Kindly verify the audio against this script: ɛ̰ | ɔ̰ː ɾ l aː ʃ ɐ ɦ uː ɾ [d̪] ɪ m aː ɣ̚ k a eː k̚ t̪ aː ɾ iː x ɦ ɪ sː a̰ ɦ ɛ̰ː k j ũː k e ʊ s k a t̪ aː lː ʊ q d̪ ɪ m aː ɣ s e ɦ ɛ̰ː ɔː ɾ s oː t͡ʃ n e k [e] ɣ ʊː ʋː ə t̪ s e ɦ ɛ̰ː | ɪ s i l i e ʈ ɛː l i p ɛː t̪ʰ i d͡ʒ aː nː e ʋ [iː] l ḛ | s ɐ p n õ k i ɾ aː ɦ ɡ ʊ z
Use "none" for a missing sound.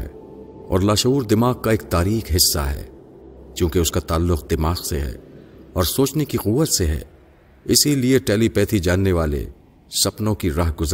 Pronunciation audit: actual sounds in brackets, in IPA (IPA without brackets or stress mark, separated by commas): d̪, i, aː